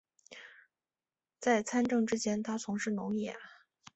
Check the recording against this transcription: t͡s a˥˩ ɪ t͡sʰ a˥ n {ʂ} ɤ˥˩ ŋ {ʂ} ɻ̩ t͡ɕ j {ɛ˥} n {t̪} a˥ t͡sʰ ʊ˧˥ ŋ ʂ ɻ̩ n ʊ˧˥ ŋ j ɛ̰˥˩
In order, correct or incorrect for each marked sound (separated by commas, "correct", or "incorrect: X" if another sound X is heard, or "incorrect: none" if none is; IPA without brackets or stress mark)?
incorrect: ʈ͡ʂ, incorrect: ʈ͡ʂ, correct, incorrect: t̪ʰ